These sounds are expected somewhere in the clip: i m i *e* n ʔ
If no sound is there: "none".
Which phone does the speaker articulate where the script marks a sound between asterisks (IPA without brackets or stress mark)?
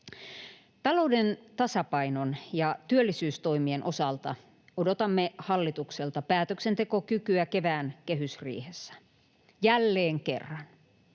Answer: e